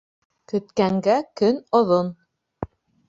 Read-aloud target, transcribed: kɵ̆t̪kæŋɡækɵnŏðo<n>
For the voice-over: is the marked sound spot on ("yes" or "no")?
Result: yes